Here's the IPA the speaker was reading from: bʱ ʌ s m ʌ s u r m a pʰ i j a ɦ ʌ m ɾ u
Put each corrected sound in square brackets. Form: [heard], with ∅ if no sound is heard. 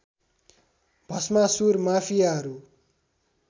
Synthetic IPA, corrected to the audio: bʱ ʌ s m [a] s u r m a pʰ i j a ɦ ʌ [∅] ɾ u